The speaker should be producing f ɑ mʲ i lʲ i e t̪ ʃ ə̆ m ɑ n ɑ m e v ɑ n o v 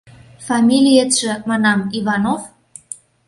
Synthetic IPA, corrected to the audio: f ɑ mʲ i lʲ i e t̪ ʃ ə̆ m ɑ n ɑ m i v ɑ n o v